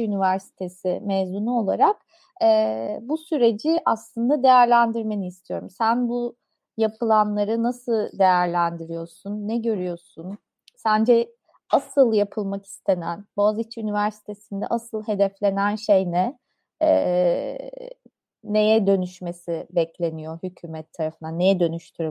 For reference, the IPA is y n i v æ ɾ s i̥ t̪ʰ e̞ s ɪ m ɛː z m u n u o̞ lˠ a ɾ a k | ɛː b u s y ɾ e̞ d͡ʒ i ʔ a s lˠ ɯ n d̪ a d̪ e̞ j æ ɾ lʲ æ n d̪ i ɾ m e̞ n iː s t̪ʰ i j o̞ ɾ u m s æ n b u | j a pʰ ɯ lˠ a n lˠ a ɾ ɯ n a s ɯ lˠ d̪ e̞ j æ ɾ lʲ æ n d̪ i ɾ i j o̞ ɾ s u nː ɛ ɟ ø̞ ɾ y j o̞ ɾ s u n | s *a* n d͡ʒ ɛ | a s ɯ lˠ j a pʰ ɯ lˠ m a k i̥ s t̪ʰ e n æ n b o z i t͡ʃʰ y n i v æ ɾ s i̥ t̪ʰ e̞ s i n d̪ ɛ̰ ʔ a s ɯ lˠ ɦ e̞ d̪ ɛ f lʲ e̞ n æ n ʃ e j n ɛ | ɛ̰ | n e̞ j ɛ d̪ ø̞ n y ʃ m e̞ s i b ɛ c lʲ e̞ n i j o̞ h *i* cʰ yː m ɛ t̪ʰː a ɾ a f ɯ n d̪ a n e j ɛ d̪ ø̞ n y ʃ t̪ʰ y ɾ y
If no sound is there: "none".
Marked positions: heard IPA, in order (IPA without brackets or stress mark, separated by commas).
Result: æ, y